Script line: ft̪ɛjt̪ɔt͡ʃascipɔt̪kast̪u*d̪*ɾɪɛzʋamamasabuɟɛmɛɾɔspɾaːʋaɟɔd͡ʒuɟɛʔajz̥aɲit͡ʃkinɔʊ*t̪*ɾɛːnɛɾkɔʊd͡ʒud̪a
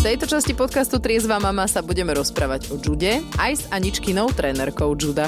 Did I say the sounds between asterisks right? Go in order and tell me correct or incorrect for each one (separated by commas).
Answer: incorrect, correct